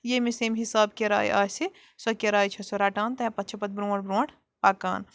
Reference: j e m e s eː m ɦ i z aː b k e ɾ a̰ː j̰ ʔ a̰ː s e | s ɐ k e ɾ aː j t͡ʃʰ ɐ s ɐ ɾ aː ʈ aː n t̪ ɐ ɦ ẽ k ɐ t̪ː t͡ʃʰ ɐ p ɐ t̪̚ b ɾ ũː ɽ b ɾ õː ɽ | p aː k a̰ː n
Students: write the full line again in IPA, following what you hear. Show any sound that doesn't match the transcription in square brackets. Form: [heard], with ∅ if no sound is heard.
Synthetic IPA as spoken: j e m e s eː m ɦ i [s] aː b k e ɾ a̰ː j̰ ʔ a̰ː s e | s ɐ k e ɾ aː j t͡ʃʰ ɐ s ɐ ɾ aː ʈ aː n t̪ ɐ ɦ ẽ [p] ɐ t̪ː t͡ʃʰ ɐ p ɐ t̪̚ b ɾ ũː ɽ b ɾ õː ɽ | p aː k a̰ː n